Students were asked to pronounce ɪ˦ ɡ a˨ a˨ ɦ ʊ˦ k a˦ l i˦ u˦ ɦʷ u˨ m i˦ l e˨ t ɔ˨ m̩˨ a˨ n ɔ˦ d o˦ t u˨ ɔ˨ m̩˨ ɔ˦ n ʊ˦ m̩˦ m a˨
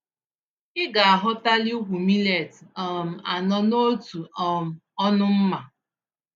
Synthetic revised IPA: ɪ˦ ɡ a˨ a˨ ɦ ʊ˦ t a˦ l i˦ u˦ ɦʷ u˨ m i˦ l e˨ t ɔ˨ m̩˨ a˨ n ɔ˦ n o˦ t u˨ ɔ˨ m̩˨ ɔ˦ n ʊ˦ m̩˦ m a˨